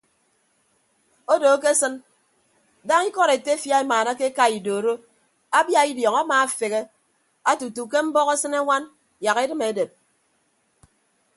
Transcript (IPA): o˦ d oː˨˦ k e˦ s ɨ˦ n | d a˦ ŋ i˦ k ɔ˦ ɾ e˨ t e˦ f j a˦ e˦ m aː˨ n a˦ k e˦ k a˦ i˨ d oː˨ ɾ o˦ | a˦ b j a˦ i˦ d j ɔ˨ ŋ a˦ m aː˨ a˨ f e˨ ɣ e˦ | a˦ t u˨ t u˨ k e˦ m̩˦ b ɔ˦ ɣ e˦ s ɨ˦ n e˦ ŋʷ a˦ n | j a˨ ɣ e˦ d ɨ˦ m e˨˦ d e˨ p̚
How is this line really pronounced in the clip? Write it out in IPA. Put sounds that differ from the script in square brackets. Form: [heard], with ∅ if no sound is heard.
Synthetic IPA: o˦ d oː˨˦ k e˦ s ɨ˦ n | d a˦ ŋ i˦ k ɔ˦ ɾ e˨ t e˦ f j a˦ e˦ m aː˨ n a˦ k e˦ k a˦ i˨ d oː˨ ɾ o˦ | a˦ b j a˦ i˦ d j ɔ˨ ŋ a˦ m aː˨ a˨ f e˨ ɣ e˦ | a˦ t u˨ t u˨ k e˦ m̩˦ b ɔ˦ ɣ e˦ s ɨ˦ n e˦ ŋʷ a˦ n | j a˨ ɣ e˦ d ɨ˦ m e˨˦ d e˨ p̚